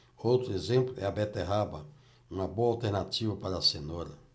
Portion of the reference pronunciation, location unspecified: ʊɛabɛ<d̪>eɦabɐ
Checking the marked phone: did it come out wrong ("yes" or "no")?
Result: yes